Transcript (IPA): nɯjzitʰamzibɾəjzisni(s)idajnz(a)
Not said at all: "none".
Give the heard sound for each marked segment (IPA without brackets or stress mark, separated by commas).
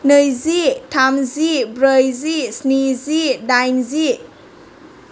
z, i